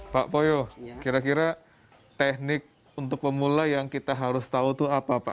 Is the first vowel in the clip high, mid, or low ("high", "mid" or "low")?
low